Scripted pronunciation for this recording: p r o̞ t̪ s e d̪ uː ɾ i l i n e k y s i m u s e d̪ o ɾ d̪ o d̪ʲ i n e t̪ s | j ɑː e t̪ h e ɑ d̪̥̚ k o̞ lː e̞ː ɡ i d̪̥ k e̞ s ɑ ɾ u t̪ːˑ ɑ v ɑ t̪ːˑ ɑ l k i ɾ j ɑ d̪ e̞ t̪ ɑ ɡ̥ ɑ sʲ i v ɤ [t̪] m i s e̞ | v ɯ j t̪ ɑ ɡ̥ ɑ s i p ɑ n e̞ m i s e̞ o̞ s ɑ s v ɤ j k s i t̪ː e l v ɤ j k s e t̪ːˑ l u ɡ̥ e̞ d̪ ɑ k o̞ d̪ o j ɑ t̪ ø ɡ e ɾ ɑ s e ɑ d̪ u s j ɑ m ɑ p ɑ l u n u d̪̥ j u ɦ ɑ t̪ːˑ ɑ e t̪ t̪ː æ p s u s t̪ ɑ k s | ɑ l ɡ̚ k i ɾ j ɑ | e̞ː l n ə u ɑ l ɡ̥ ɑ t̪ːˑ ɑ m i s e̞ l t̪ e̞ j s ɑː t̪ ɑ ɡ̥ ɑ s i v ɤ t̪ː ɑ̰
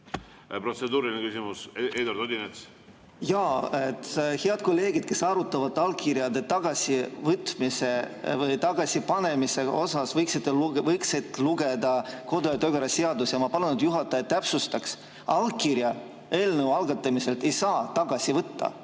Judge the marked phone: correct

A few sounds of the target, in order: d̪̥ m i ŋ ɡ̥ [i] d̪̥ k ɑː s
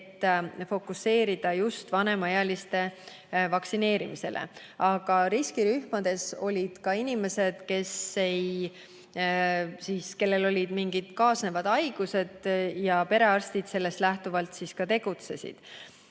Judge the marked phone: correct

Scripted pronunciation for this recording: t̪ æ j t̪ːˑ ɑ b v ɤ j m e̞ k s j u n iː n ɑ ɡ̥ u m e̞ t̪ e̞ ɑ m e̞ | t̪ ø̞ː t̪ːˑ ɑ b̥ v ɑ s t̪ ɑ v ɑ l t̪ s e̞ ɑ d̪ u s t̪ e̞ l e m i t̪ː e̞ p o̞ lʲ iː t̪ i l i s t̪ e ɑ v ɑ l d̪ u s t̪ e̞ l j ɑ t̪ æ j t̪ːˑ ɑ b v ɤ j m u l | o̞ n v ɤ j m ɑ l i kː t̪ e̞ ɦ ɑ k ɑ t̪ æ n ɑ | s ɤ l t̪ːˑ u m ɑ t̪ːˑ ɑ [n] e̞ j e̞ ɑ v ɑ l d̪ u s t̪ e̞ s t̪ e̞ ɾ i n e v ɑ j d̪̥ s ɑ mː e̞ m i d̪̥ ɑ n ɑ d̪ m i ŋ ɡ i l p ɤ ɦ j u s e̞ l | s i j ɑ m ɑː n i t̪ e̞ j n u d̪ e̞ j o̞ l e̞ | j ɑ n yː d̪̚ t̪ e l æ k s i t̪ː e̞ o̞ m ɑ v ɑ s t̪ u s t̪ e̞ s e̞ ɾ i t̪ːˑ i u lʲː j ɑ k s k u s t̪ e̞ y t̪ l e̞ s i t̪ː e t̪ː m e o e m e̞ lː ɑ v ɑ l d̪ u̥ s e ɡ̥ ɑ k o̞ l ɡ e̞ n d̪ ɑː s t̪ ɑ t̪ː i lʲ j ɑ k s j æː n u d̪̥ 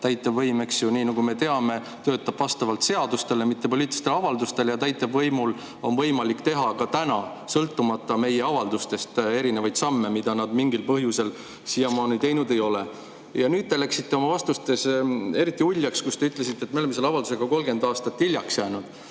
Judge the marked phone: incorrect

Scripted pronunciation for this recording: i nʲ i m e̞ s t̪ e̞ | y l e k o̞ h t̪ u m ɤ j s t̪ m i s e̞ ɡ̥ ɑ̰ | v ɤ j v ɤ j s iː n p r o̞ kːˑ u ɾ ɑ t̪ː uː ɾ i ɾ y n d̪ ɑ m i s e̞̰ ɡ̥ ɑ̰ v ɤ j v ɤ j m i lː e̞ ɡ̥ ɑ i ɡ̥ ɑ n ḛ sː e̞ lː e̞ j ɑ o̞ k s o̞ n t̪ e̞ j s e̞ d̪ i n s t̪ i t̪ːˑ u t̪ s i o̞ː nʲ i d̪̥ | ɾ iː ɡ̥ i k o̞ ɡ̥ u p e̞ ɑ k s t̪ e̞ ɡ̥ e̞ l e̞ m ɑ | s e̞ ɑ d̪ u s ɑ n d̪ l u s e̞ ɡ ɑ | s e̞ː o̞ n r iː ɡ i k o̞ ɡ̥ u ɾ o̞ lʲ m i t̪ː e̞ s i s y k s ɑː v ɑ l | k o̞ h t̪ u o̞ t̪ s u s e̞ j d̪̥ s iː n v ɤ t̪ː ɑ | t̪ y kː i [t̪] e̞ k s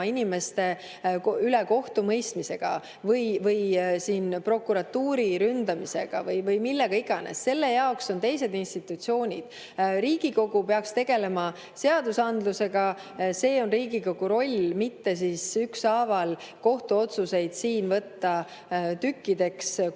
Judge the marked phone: incorrect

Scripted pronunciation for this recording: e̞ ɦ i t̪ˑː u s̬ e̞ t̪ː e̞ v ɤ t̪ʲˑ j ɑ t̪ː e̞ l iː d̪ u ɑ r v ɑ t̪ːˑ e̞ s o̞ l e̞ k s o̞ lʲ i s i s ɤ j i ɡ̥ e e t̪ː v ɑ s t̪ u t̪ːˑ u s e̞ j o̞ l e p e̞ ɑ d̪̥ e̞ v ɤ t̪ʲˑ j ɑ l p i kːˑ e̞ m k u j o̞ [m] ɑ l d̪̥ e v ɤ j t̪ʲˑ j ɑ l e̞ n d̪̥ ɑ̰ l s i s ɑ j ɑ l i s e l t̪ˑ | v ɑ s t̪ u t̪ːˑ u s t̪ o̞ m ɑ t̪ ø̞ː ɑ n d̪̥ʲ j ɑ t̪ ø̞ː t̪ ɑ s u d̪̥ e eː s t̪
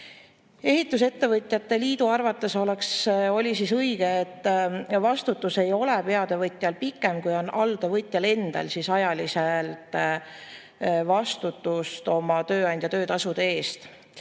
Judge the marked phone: incorrect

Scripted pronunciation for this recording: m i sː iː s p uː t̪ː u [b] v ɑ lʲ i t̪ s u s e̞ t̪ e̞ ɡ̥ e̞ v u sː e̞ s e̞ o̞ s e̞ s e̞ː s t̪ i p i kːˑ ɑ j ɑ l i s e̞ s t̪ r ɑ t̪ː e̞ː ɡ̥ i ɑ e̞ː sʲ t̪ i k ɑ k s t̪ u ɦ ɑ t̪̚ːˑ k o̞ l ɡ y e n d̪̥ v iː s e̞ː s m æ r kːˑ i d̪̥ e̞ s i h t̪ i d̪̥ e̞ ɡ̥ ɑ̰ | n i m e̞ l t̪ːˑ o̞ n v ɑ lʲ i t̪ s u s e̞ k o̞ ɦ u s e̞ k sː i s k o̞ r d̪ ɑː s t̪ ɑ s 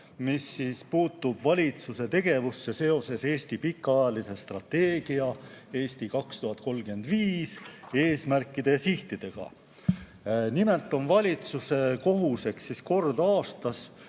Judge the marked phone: correct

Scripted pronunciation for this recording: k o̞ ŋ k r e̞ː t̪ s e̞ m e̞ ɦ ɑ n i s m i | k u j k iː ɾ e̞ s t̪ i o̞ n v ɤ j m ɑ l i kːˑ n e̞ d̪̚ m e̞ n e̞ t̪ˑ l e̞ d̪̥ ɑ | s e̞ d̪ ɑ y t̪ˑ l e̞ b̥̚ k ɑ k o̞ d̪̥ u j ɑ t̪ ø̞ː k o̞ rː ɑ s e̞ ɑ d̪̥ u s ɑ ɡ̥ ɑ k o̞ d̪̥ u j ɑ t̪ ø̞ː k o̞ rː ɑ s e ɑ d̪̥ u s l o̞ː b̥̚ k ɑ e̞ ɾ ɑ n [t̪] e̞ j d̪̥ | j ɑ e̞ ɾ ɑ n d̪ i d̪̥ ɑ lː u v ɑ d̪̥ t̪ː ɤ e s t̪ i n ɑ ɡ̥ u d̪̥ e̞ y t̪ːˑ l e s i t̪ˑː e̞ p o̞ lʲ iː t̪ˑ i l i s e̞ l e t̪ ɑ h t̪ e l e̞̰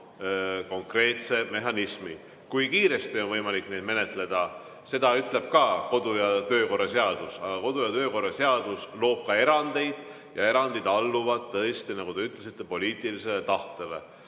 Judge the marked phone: incorrect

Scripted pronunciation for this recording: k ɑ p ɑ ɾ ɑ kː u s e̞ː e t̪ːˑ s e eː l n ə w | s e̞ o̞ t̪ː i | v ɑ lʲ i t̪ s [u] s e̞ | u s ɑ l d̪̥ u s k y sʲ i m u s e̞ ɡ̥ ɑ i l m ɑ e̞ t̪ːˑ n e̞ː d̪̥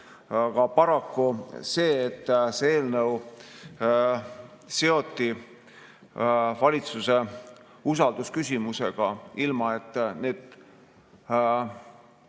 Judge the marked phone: correct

